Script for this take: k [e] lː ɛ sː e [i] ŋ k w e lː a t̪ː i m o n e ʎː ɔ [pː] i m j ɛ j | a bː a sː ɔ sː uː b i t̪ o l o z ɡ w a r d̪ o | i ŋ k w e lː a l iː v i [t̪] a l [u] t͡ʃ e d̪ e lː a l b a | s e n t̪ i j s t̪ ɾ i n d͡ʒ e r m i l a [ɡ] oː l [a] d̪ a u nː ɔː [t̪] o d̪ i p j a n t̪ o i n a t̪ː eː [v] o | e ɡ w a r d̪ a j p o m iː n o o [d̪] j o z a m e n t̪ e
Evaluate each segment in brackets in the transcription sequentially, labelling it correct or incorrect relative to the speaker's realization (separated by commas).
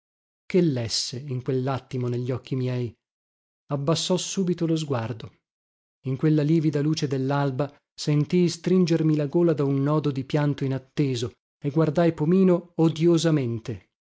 correct, correct, incorrect, incorrect, incorrect, correct, correct, incorrect, incorrect, correct